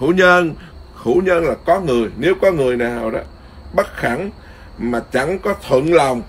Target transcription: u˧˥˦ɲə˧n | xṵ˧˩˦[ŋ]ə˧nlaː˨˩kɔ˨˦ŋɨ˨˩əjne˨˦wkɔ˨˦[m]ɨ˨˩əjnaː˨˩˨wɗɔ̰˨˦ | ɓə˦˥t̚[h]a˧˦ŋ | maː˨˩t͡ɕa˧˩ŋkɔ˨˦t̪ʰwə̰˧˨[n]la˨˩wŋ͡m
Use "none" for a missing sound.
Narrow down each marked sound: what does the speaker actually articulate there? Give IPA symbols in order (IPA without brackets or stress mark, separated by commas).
ɲ, ŋ, x, n